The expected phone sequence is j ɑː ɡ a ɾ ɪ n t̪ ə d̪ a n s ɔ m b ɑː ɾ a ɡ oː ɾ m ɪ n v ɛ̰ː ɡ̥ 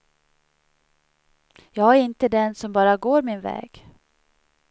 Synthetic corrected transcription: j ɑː ɡ æ ɾ ɪ n t̪ ə d̪ ɛ n s ɔ m b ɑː ɾ a ɡ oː ɾ m ɪ n v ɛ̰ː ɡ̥